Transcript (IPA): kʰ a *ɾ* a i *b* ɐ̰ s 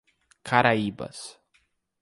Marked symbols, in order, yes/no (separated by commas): yes, yes